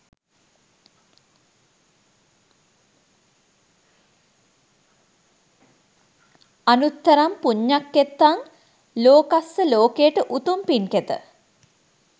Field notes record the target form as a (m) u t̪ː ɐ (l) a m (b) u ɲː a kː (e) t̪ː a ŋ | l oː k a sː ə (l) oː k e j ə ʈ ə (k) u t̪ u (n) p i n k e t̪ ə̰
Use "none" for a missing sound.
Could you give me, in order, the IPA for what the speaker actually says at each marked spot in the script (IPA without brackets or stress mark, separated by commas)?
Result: n, ɾ, p, e, l, ʔ, m